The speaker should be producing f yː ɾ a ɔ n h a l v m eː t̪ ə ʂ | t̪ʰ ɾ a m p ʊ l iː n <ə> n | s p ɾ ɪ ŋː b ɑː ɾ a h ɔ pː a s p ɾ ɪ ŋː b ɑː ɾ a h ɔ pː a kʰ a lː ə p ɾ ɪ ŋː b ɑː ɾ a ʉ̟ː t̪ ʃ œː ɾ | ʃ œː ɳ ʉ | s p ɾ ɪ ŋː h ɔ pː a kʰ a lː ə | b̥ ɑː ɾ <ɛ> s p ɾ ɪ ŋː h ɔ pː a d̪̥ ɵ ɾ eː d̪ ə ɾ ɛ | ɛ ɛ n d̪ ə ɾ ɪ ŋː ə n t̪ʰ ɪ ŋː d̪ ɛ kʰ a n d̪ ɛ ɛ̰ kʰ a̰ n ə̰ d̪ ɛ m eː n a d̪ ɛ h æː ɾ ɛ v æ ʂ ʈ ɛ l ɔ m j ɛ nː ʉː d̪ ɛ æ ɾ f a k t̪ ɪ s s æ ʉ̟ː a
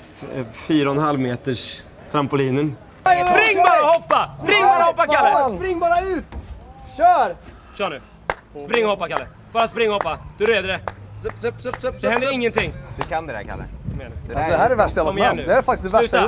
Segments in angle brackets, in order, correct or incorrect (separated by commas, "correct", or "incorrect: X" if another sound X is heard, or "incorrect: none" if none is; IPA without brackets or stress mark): correct, incorrect: a